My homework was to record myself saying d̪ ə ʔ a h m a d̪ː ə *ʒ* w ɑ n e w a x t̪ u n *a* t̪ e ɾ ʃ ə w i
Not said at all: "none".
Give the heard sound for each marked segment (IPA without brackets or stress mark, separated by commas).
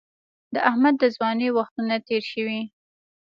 z, a